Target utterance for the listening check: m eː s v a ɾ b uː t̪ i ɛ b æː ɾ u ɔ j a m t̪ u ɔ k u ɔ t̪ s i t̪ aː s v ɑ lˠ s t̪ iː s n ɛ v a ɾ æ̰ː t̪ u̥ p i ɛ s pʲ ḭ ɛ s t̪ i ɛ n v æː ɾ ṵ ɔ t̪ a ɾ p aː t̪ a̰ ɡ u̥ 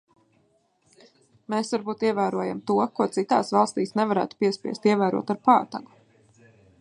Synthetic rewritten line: m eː s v a ɾ b uː t̪ i ɛ v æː ɾ u ɔ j a m t̪ u ɔ k u ɔ t̪ s i t̪ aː s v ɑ lˠ s t̪ iː s n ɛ v a ɾ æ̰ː t̪ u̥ p i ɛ s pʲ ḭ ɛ s t̪ i ɛ v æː ɾ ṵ ɔ t̪ a ɾ p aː t̪ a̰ ɡ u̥